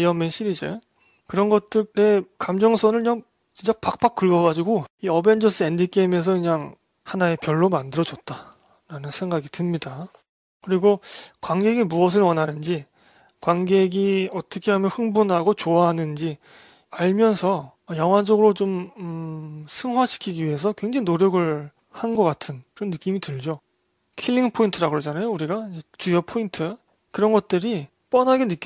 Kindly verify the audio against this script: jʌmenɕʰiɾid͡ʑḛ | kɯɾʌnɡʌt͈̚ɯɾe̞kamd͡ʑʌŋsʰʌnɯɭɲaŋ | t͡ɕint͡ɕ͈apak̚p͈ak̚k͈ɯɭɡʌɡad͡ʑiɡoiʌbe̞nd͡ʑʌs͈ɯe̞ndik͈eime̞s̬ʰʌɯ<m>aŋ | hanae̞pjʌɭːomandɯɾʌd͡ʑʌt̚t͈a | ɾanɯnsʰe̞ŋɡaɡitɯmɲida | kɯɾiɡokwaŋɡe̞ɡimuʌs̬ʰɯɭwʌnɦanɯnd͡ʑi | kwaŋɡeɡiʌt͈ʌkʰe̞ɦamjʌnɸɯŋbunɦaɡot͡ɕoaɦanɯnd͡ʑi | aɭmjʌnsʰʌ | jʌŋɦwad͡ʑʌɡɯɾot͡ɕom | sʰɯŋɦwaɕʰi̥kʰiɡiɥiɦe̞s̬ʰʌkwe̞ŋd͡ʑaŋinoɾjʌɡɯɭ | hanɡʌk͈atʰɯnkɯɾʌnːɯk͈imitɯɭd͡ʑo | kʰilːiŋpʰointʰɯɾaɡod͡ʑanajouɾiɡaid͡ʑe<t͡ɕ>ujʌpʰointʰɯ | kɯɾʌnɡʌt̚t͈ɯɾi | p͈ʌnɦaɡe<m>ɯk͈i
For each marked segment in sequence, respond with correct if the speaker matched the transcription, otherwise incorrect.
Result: incorrect: ɲ, correct, incorrect: n

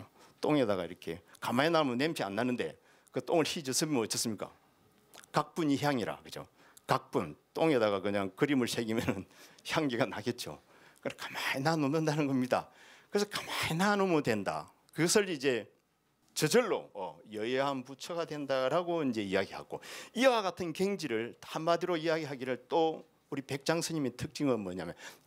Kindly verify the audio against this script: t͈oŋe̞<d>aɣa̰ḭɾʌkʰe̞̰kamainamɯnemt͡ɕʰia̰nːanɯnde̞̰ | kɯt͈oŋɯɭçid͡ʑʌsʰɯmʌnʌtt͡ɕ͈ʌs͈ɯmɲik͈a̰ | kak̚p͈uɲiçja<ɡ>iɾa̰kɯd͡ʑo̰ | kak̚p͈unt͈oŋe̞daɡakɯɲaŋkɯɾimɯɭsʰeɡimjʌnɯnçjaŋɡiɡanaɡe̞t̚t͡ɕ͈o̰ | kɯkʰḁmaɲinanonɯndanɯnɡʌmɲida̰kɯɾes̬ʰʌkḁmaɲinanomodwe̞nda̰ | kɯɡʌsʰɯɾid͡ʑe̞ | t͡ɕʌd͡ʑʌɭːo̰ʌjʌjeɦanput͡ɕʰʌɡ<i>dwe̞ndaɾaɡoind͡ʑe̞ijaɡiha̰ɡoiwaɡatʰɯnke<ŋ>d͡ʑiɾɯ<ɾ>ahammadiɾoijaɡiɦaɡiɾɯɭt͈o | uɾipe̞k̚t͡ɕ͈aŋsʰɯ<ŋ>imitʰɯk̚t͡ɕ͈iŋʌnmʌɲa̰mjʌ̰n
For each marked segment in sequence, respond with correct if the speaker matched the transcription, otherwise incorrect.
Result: correct, incorrect: ŋ, incorrect: a, correct, incorrect: ɭ, incorrect: ɲ

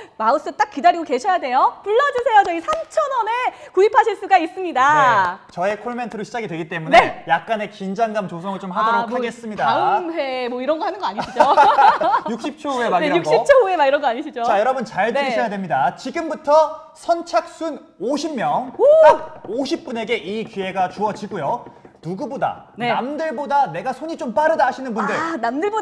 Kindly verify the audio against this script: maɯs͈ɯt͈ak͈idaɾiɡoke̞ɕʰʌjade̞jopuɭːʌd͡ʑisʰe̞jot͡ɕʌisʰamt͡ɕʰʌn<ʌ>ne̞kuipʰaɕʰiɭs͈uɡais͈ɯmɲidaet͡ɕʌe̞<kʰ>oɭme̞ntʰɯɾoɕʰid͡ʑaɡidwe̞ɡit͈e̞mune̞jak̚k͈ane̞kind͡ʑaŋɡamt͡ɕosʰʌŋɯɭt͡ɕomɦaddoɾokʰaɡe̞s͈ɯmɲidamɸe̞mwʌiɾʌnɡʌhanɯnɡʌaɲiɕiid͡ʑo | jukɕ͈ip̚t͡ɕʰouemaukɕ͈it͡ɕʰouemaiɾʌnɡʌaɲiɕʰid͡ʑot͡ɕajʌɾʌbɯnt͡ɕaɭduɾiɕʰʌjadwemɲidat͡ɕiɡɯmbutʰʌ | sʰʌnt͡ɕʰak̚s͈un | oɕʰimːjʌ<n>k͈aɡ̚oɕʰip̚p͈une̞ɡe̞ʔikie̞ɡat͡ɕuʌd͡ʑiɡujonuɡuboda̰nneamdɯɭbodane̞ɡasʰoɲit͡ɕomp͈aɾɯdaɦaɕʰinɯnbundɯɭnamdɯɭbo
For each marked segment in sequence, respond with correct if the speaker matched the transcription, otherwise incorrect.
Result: correct, correct, incorrect: ŋ

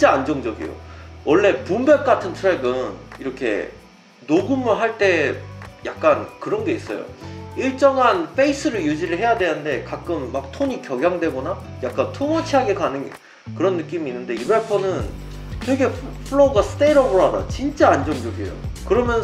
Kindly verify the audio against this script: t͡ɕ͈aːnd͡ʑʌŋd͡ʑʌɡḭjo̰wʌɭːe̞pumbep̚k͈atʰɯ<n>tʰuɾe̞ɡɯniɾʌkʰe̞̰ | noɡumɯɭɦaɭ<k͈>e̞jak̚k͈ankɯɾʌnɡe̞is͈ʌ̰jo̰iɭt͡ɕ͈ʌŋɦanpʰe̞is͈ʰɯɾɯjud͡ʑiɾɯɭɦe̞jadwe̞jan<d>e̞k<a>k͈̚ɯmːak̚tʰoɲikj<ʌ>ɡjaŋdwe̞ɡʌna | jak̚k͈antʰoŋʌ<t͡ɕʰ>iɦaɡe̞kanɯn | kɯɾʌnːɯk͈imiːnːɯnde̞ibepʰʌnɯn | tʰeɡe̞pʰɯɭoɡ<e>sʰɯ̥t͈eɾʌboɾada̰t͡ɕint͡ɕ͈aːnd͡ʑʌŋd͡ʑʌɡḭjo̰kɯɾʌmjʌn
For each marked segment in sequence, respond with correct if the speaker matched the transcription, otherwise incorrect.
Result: correct, incorrect: t͈, correct, correct, correct, correct, incorrect: a

